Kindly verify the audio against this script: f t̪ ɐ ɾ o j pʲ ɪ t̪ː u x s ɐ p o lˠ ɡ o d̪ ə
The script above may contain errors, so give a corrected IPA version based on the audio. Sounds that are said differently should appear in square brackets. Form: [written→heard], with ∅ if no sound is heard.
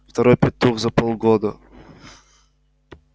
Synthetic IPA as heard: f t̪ ɐ ɾ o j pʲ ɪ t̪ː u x [s→z] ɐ p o lˠ ɡ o d̪ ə